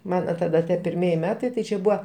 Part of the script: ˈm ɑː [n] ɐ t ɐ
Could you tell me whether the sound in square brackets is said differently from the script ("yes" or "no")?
no